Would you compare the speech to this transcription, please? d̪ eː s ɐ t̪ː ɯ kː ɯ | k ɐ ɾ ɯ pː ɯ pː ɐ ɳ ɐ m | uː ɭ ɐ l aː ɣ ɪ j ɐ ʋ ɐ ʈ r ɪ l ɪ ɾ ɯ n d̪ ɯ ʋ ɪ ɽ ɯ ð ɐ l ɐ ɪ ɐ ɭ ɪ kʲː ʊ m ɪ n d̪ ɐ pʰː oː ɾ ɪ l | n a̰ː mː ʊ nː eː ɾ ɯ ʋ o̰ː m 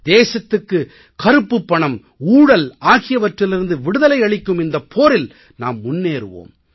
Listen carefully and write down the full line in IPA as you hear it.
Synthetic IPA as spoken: d̪ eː s ɐ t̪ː ɯ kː ɯ | k ɐ ɾ ɯ pː ɯ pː ɐ ɳ ɐ m | uː ɽ ɐ l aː ɣ ɪ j ɐ ʋ ɐ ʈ r ɪ l ɪ ɾ ɯ n d̪ ɯ ʋ ɪ ɽ ɯ ð ɐ l ɐ ɪ ɐ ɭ ɪ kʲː ɯ m ɪ n d̪ ɐ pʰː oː ɾ ɪ l | n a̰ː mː ʊ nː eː ɾ ɯ ʋ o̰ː m

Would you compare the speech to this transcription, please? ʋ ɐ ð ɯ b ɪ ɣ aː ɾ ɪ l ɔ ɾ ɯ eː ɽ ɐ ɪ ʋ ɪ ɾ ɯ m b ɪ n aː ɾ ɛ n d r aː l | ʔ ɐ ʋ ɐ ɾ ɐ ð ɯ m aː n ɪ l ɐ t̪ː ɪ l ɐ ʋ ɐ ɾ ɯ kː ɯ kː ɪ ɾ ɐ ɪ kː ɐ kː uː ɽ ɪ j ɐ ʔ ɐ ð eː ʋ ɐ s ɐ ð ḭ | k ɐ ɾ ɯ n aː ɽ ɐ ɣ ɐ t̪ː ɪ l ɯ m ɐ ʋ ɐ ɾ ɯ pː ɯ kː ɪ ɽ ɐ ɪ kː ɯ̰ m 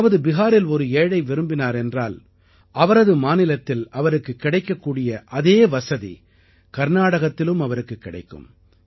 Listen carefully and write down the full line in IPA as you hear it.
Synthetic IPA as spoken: ʋ ɐ ð ɯ b ɪ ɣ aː ɾ ɪ l ɔ ɾ ɯ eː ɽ ɐ ɪ ʋ ɪ ɾ ɯ m b ɪ n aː ɾ ɛ n d r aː l | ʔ ɐ ʋ ɐ ɾ ɐ ð ɯ m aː n ɪ l ɐ t̪ː ɪ l ɐ ʋ ɐ ɾ ɯ kː ɯ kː ɪ ɽ ɐ ɪ kː ɐ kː uː ɽ ɪ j ɐ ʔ ɐ ð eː ʋ ɐ s ɐ ð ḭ | k ɐ ɾ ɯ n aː ɽ ɐ ɣ ɐ t̪ː ɪ l ɯ m ɐ ʋ ɐ ɾ ɯ kː ɯ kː ɪ ɽ ɐ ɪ kː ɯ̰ m

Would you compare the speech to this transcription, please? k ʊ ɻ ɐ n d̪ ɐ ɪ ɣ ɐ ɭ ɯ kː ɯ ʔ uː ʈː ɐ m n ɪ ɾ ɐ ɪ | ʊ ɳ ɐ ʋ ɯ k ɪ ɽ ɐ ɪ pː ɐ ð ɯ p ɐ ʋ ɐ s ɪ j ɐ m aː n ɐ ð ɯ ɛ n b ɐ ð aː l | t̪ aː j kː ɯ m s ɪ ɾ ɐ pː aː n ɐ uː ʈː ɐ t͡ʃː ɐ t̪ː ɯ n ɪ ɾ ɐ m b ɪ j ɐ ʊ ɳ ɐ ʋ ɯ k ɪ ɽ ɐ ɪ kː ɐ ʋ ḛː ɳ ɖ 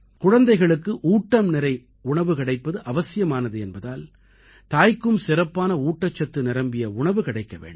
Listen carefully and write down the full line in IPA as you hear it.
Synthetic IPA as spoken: k ʊ ɻ ɐ n d̪ ɐ ɪ ɣ ɐ ɭ ɯ kː ɯ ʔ uː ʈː ɐ m n ɪ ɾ ɐ ɪ | ʊ ɳ ɐ ʋ ɯ k ɪ ɽ ɐ ɪ pː ɐ ð ɯ ʔ ɐ ʋ ɐ s ɪ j ɐ m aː n ɐ ð ɯ ɛ n b ɐ ð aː l | t̪ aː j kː ɯ m s ɪ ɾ ɐ pː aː n ɐ uː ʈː ɐ t͡ʃː ɐ t̪ː ɯ n ɪ ɾ ɐ m b ɪ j ɐ ʊ ɳ ɐ ʋ ɯ k ɪ ɽ ɐ ɪ kː ɐ ʋ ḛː ɳ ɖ

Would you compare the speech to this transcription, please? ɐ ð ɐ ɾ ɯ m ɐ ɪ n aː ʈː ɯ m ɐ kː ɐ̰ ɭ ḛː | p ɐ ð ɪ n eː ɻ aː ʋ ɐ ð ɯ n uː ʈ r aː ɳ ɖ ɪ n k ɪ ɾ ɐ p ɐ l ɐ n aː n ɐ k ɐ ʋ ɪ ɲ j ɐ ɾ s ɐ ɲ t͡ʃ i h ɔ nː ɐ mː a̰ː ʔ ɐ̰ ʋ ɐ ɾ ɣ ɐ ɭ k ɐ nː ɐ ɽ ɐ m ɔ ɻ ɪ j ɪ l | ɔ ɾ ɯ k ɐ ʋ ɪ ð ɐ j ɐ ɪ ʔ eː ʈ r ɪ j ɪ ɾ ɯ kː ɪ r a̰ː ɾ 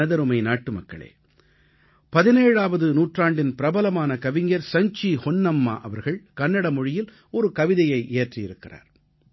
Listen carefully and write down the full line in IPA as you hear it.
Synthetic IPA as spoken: ɐ ð ɐ ɾ ɯ m ɐ ɪ n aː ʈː ɯ m ɐ kː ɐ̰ ɭ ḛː | p ɐ ð ɪ n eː ɻ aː ʋ ɐ ð ɯ n uː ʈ r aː ɳ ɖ ɪ n p ɪ ɾ ɐ b ɐ l ɐ m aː n ɐ k ɐ ʋ ɪ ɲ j ɐ ɾ s ɐ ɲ t͡ʃ i h ɔ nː ɐ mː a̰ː ʔ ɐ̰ ʋ ɐ ɾ ɣ ɐ ɭ k ɐ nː ɐ ɽ ɐ m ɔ ɻ ɪ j ɪ l | ɔ ɾ ɯ k ɐ ʋ ɪ ð ɐ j ɐ ɪ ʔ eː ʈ r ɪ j ɪ ɾ ɯ kː ɪ r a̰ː ɾ

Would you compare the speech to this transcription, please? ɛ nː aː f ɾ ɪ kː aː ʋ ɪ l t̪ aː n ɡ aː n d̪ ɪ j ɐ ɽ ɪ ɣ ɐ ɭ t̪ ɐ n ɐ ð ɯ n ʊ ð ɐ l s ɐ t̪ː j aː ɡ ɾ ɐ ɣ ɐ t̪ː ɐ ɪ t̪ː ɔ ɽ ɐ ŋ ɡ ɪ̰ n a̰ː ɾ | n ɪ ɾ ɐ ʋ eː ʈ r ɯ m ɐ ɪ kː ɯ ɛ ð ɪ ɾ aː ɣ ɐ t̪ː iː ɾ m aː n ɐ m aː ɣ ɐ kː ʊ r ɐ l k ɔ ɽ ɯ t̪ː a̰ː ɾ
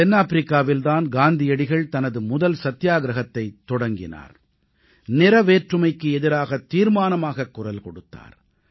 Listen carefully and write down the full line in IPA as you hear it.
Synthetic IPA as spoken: ɛ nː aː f ɾ ɪ kː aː ʋ ɪ l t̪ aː n ɡ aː n d̪ ɪ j ɐ ɽ ɪ ɣ ɐ ɭ t̪ ɐ n ɐ ð ɯ m ʊ ð ɐ l s ɐ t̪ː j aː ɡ ɾ ɐ ɣ ɐ t̪ː ɐ ɪ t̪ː ɔ ɽ ɐ ŋ ɡ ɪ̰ n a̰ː ɾ | n ɪ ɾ ɐ ʋ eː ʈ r ɯ m ɐ ɪ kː ɯ ɛ ð ɪ ɾ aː ɣ ɐ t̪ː iː ɾ m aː n ɐ m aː ɣ ɐ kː ʊ r ɐ l k ɔ ɽ ɯ t̪ː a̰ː ɾ

